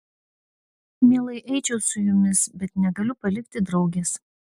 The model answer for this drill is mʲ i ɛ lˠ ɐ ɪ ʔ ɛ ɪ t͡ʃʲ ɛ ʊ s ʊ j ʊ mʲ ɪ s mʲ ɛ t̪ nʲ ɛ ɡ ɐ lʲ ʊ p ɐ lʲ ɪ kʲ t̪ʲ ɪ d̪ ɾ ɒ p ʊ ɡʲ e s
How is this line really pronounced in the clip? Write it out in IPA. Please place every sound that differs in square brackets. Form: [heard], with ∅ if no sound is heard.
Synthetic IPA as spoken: mʲ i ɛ lˠ ɐ ɪ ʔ ɛ ɪ t͡ʃʲ ɛ ʊ s ʊ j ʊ mʲ ɪ s [bʲ] ɛ t̪ nʲ ɛ ɡ ɐ lʲ ʊ p ɐ lʲ ɪ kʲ t̪ʲ ɪ d̪ ɾ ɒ [∅] ʊ ɡʲ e s